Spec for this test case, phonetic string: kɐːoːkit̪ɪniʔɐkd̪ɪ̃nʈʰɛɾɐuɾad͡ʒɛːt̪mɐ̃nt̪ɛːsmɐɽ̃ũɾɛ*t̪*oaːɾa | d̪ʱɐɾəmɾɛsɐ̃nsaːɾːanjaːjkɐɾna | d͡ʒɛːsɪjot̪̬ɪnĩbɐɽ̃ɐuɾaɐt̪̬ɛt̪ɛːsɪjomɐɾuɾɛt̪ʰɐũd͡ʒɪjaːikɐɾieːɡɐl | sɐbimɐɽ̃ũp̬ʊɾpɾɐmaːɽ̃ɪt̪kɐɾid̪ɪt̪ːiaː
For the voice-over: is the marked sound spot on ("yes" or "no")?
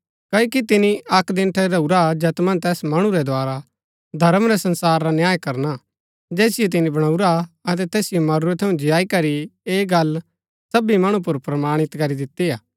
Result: no